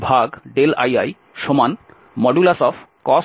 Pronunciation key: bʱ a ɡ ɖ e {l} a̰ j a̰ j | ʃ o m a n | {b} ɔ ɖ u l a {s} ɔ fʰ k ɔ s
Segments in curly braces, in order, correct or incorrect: correct, incorrect, correct

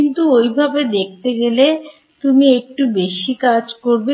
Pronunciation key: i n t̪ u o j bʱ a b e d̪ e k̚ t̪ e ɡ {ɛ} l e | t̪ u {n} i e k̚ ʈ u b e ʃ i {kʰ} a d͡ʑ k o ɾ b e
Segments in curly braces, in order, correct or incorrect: incorrect, incorrect, incorrect

